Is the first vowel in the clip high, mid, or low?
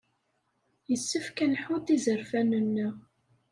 mid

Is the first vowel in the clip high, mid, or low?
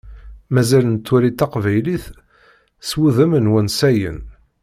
low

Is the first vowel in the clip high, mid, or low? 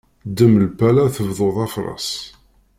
mid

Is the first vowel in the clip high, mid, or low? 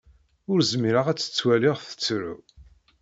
high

